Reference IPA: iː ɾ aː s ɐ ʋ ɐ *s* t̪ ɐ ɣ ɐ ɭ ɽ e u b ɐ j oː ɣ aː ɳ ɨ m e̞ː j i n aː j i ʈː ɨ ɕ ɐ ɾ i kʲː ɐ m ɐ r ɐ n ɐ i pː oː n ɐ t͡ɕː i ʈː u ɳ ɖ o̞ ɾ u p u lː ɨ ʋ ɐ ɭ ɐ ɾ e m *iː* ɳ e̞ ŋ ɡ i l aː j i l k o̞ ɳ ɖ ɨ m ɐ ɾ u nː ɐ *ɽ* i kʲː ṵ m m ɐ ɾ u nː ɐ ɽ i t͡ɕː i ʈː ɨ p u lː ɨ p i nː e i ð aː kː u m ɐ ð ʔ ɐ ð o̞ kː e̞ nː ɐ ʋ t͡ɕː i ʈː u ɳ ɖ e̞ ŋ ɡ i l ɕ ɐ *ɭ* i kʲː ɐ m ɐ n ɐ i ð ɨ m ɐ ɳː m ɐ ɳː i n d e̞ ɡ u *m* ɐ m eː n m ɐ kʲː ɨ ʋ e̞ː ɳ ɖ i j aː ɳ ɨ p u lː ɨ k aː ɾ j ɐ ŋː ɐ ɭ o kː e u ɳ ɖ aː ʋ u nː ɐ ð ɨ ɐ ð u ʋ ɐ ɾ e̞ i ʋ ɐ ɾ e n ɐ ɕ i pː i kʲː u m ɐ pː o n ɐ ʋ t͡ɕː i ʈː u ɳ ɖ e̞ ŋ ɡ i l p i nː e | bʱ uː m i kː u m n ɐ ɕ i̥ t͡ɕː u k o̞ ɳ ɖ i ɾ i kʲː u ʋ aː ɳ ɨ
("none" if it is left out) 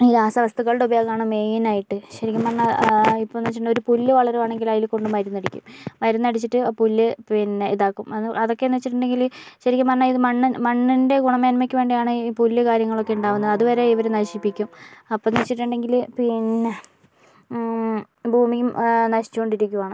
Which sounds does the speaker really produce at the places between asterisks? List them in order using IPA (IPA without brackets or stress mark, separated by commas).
s, aː, ɽ, ɾ, ɳ